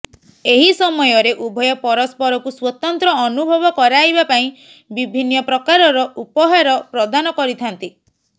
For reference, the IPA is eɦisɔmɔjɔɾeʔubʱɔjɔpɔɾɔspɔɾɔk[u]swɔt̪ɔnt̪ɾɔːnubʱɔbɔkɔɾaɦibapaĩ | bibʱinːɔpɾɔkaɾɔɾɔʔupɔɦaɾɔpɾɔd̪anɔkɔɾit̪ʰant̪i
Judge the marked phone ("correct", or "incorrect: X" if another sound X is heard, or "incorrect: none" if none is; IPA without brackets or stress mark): correct